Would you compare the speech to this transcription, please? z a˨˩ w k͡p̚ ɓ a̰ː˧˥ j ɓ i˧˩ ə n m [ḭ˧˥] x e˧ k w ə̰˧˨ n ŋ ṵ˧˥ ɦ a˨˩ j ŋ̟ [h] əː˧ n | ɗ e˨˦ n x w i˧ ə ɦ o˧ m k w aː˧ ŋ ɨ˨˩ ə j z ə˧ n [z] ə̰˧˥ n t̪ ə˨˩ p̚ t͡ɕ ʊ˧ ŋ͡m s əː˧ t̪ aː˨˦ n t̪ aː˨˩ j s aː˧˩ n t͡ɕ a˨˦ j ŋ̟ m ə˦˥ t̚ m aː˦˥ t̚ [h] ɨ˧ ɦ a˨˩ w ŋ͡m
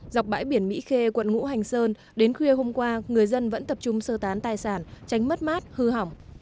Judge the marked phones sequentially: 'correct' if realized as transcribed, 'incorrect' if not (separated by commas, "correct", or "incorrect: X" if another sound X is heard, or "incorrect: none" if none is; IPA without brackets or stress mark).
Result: correct, incorrect: s, incorrect: v, correct